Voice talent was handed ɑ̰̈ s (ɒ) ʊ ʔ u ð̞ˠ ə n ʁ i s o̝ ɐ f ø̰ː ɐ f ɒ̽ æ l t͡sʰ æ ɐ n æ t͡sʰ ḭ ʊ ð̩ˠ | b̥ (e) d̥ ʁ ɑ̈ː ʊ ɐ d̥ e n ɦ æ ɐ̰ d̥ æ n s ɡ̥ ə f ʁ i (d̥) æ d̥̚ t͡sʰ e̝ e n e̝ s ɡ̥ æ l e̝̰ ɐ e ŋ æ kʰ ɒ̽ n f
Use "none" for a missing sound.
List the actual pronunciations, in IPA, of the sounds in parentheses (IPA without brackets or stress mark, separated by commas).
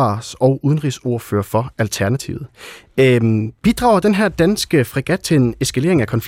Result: ɒ, i, ɡ̥